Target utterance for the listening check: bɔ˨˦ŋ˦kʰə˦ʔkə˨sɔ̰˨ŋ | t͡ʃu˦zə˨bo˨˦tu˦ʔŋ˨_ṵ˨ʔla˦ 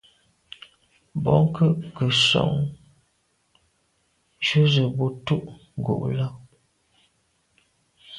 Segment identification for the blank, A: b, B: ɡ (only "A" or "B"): B